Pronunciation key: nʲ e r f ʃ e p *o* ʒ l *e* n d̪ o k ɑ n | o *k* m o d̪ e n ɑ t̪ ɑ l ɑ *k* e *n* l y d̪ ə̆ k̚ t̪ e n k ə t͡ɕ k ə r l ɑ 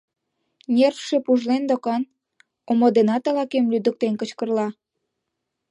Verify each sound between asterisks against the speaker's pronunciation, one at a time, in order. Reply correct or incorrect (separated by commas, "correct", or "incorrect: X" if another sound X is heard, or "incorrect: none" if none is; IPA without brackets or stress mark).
incorrect: u, correct, incorrect: none, correct, incorrect: m